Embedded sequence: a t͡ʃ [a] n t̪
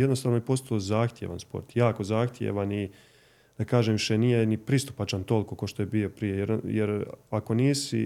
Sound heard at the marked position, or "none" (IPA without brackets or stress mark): a